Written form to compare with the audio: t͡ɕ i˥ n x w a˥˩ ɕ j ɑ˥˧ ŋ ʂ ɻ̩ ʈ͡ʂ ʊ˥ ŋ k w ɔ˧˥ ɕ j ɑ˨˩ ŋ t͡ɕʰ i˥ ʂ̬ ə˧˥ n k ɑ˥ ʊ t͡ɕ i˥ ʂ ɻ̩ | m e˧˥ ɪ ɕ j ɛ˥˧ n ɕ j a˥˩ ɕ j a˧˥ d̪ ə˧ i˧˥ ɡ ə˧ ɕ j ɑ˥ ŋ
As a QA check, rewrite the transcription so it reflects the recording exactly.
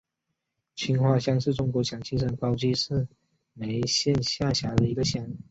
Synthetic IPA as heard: t͡ɕʰ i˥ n x w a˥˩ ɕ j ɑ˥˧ ŋ ʂ ɻ̩ ʈ͡ʂ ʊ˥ ŋ k w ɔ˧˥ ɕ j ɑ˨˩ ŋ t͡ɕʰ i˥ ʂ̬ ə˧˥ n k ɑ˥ ʊ t͡ɕ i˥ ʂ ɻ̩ | m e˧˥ ɪ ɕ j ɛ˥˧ n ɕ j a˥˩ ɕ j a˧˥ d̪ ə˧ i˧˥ ɡ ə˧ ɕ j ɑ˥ ŋ